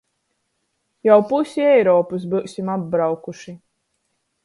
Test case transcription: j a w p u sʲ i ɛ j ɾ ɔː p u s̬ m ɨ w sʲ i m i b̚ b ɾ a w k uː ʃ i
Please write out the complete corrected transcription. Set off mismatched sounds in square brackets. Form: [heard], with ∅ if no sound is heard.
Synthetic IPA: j a w p u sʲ i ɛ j ɾ ɔː p u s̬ [b] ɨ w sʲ i m [a] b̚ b ɾ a w k [u] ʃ i